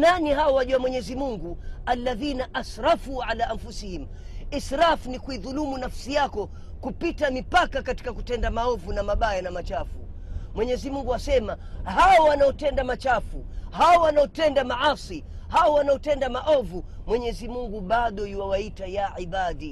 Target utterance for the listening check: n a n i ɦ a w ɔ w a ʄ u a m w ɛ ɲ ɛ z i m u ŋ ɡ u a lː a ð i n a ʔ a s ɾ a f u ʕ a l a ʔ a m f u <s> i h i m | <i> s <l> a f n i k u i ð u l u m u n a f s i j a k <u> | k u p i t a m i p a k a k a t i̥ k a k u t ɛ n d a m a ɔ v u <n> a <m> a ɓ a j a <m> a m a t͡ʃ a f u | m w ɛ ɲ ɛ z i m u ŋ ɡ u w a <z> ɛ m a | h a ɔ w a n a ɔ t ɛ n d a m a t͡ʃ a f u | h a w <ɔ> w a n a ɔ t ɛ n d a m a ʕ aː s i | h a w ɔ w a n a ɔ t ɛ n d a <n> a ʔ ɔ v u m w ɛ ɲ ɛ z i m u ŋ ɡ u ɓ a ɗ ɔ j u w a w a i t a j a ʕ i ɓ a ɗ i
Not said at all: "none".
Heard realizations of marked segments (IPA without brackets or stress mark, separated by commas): s, i, ɾ, ɔ, n, m, n, s, ɔ, m